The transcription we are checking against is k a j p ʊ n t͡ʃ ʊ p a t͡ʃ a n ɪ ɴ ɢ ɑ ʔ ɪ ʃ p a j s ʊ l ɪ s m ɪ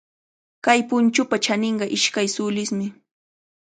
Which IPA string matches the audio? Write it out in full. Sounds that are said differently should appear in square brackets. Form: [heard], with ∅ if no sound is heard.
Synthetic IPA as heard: k a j p ʊ n t͡ʃ ʊ p a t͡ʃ a n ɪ ɴ ɢ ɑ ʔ ɪ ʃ [k] a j s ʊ l ɪ s m ɪ